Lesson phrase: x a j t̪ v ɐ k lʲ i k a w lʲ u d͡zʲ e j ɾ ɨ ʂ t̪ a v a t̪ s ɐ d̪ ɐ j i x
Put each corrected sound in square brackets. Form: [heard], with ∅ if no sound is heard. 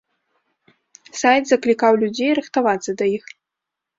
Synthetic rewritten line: [s] a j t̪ [z] ɐ k lʲ i k a w lʲ u d͡zʲ e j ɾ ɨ [x] t̪ a v a t̪ s ɐ d̪ ɐ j i x